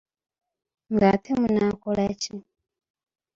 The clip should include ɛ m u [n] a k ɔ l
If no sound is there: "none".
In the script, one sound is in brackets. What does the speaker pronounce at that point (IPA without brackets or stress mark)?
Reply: n